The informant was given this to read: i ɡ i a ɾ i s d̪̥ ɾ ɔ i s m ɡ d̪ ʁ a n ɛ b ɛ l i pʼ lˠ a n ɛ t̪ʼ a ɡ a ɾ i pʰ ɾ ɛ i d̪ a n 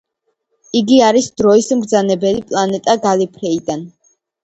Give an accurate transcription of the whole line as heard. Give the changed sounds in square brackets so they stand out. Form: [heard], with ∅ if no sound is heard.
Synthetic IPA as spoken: i ɡ i a ɾ i s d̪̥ ɾ ɔ i s m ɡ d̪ [z] a n ɛ b ɛ l i pʼ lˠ a n ɛ t̪ʼ a ɡ a [l] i pʰ ɾ ɛ i d̪ a n